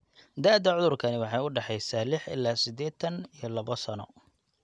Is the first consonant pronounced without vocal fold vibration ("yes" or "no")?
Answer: no